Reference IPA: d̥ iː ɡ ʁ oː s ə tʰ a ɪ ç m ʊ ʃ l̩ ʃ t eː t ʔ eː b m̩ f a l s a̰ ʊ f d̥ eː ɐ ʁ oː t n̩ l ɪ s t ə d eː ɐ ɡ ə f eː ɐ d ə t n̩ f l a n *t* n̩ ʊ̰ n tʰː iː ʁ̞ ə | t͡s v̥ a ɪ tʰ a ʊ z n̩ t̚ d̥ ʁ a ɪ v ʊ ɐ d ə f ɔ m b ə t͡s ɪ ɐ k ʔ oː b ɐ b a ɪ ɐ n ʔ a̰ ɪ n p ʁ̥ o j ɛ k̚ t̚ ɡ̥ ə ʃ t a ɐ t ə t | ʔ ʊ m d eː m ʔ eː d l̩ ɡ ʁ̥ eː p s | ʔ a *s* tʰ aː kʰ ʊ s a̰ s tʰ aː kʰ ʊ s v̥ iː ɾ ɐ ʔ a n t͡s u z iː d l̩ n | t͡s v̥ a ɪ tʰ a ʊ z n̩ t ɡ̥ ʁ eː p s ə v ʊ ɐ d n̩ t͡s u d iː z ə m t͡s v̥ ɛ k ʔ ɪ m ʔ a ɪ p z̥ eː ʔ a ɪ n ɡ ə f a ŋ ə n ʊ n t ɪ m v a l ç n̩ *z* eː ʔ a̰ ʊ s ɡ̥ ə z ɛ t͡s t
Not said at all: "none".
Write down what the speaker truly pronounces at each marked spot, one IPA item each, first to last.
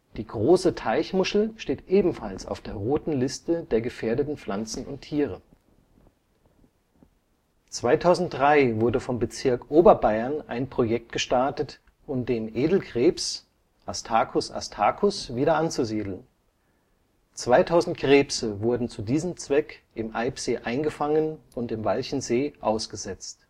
t͡s, s, z

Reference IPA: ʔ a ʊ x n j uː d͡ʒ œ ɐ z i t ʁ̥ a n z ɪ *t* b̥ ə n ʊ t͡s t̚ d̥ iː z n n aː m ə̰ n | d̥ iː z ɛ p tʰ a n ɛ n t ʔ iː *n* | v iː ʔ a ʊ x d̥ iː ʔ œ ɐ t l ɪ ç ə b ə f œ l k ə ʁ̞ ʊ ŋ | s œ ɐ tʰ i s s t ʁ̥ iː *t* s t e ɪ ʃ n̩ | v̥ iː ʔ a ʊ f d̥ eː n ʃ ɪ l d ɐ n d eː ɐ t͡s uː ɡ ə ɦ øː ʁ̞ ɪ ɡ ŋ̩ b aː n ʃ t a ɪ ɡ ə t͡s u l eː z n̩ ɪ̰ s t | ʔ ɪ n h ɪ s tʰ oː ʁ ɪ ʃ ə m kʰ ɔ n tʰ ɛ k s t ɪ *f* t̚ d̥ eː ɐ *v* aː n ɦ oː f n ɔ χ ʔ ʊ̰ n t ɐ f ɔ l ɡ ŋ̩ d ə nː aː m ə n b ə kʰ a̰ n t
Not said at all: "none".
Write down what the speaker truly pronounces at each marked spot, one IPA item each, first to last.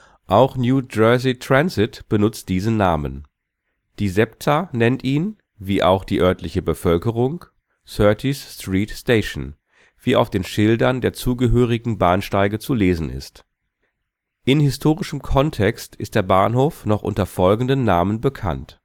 t, n, t, s, b

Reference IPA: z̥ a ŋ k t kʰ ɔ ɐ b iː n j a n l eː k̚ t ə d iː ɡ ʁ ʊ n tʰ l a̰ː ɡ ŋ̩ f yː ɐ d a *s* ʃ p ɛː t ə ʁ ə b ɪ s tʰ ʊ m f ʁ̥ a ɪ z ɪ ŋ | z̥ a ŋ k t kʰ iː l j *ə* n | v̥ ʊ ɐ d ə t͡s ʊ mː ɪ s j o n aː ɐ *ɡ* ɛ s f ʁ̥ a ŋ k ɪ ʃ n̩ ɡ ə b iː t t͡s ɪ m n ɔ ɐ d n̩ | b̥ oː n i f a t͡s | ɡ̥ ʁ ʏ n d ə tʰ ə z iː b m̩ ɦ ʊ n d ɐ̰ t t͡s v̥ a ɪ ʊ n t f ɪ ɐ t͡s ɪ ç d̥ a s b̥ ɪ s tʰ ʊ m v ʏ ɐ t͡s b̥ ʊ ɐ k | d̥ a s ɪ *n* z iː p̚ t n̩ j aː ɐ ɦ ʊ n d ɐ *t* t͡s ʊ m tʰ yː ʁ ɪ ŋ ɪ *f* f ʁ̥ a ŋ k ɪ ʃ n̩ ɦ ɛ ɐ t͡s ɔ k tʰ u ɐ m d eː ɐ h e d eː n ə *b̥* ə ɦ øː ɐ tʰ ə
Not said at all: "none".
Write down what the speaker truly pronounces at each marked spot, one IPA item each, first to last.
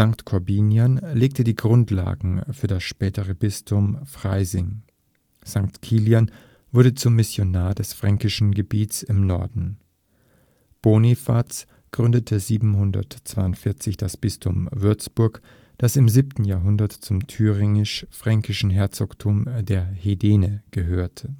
s, a, d, m, t, ʃ, ɡ̥

